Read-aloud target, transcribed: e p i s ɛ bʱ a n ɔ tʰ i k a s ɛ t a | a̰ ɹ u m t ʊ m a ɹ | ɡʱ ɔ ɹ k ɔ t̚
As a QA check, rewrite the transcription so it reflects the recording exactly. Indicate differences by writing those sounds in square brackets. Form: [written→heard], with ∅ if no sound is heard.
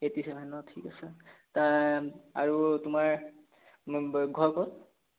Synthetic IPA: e [p→t] i s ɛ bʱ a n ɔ tʰ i k a s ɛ t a | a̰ ɹ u [m→∅] t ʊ m a ɹ | ɡʱ ɔ ɹ k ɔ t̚